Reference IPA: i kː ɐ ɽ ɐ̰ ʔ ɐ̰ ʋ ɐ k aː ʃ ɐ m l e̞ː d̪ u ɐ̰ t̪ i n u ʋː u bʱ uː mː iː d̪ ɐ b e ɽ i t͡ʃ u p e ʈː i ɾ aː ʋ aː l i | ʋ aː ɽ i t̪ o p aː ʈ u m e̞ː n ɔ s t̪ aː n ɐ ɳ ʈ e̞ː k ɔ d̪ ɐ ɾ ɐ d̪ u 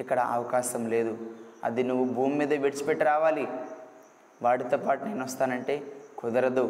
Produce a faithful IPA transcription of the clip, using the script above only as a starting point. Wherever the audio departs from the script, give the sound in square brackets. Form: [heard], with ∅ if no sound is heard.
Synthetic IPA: i kː ɐ ɽ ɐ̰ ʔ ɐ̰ ʋ ɐ k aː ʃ ɐ m l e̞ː d̪ u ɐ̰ [d̪] i n u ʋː u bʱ uː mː iː d̪ ɐ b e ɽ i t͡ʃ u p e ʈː i ɾ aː ʋ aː l i | ʋ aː ɽ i t̪ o p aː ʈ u [n] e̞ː n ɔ s t̪ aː n ɐ ɳ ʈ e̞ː k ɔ d̪ ɐ ɾ ɐ d̪ u